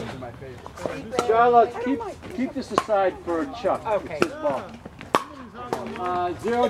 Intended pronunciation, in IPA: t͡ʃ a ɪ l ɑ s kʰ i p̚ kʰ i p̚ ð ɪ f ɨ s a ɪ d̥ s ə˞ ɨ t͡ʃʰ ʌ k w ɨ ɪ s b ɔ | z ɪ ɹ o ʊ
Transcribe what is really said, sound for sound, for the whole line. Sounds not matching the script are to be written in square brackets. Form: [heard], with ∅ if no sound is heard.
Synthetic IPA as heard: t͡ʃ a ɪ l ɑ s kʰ i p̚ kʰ i p̚ ð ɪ [s] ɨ s a ɪ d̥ [f] ə˞ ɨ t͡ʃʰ ʌ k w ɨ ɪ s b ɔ | z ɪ ɹ o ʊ